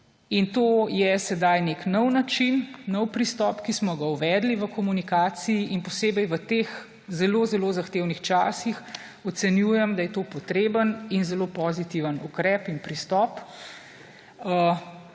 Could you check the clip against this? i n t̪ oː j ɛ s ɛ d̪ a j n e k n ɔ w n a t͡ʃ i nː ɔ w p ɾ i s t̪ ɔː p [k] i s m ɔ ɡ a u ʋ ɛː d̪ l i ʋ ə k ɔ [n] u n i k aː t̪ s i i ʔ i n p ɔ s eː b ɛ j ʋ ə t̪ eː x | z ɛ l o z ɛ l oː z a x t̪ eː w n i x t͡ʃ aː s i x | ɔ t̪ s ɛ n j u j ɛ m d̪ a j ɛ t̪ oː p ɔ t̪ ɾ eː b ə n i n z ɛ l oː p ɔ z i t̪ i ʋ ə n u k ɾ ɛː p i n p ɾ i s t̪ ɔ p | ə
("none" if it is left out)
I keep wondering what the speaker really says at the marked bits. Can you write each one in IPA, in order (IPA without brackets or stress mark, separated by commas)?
k, m